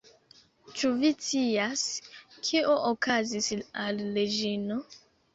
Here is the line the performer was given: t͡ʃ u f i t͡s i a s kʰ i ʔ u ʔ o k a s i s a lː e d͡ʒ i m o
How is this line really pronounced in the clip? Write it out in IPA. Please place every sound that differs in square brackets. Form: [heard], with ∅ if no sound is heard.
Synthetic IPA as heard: t͡ʃ u [v] i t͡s i a s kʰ i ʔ [o] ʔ o k a [z] i s a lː e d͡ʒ i [n] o